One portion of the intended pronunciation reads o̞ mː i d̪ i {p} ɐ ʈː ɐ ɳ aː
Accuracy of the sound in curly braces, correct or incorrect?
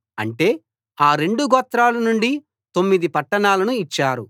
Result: correct